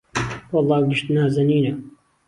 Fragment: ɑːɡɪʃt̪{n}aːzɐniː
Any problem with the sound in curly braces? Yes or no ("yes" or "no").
no